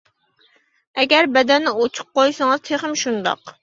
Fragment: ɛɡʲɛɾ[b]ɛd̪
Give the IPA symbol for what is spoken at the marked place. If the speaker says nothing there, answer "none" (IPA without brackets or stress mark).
b